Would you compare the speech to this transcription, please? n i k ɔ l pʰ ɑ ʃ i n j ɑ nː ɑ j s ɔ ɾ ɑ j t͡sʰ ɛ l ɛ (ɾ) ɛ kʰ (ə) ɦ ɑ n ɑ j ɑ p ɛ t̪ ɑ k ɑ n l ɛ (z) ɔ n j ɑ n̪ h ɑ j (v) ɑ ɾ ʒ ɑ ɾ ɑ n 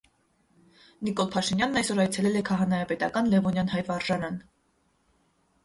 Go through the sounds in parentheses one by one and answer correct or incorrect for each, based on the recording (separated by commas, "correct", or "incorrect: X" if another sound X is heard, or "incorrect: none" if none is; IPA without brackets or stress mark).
incorrect: l, incorrect: ɑ, incorrect: v, correct